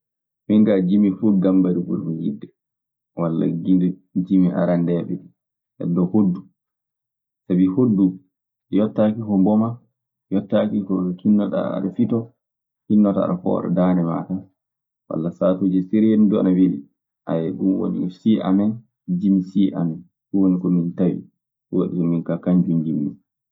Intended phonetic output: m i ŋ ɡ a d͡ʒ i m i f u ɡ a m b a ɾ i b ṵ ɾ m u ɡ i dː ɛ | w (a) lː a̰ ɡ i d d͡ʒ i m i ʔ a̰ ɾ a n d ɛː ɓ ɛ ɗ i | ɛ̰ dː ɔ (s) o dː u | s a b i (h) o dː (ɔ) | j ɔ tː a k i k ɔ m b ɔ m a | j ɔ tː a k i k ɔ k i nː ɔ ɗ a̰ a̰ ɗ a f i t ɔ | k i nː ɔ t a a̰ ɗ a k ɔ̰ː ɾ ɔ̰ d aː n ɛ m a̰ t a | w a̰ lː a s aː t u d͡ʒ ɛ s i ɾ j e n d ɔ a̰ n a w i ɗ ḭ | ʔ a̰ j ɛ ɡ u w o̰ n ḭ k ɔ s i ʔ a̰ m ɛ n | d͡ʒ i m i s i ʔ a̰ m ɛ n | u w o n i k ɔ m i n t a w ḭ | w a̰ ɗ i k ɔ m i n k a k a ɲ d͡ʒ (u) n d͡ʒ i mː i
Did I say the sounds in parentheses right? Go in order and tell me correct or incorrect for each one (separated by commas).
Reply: correct, incorrect, correct, incorrect, correct